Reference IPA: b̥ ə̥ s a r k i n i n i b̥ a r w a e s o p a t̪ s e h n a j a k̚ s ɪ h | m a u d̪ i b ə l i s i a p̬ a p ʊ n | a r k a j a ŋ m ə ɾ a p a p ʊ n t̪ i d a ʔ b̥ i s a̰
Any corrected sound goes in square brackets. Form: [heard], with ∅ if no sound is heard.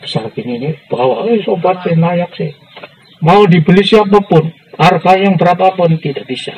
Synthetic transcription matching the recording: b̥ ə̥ s a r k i n i n i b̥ a [∅] w a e s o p a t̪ s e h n a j a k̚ s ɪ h | m a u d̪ i b ə l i s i a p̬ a p ʊ n | a r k a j a ŋ [b] ə ɾ a p a p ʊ n t̪ i d a ʔ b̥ i s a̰